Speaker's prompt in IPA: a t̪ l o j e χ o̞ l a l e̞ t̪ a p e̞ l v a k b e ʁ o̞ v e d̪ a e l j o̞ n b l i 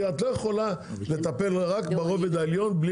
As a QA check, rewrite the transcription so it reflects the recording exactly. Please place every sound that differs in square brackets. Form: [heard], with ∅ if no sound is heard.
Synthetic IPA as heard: a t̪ l o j e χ o̞ l a l e̞ t̪ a p e̞ l [ʁ] a k b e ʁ o̞ v e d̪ a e l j o̞ n b l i